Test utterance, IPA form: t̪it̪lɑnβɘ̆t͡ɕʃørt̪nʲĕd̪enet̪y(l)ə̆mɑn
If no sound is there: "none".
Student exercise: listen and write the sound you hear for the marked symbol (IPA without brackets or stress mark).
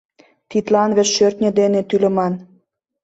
l